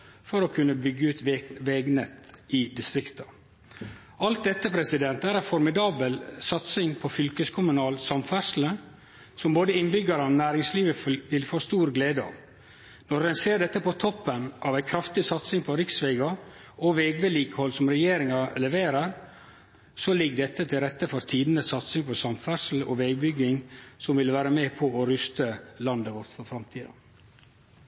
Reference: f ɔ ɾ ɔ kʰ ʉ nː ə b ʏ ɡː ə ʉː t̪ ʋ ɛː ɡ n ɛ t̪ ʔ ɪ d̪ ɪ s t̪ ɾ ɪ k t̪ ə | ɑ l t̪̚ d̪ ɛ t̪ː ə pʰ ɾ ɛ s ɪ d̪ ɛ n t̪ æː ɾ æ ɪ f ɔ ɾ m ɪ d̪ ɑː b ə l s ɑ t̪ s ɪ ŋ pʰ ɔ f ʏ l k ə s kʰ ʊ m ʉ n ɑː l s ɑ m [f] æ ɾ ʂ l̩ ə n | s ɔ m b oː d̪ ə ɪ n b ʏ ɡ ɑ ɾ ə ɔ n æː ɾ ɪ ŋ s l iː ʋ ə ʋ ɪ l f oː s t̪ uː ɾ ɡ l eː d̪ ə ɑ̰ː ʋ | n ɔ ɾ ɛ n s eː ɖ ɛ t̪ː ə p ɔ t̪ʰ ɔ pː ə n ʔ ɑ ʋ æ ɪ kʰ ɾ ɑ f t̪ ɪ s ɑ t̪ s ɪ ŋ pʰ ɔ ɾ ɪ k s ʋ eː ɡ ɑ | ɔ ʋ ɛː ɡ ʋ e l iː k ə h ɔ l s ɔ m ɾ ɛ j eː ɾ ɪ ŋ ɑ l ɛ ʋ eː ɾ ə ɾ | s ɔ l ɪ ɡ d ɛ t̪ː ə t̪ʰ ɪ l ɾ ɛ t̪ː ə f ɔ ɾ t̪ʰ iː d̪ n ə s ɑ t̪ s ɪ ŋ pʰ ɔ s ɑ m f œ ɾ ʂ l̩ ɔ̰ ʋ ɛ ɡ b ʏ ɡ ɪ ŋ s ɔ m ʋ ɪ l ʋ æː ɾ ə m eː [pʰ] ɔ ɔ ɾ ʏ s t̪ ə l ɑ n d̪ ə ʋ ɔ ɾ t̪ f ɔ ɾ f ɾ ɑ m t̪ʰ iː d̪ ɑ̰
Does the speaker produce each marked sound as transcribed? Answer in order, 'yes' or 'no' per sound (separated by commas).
yes, yes